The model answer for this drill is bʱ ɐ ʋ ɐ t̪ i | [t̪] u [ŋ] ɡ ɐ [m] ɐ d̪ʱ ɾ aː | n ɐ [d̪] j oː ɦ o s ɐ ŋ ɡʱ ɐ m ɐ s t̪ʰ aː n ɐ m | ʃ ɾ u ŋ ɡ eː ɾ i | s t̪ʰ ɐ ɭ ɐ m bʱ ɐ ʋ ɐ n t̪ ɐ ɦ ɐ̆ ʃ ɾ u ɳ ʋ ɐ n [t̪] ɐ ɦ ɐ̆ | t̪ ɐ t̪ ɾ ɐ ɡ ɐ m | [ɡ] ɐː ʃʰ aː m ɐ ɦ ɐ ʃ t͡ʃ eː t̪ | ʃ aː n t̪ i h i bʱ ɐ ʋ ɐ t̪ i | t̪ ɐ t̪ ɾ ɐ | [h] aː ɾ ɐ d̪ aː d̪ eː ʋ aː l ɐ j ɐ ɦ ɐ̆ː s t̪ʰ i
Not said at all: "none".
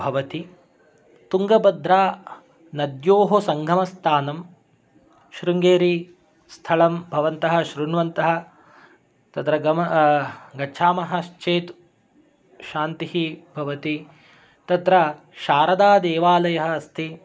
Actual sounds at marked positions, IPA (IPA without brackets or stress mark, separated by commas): t̪, ŋ, b, d̪, t̪, ɡ, ʃ